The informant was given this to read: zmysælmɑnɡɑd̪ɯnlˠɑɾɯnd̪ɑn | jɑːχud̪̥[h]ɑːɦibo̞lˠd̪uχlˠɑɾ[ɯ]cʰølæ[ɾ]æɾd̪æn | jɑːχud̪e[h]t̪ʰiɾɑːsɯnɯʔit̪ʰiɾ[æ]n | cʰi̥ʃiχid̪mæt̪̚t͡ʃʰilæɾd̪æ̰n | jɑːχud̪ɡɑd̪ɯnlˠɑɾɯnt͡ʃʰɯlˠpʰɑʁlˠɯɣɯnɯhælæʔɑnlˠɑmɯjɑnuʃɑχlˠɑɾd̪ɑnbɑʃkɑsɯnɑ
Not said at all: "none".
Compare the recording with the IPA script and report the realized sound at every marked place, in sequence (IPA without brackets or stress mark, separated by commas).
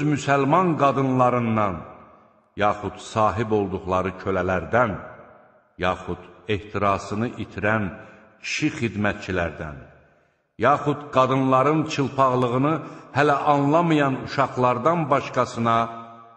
s, ɯ, l, h, æ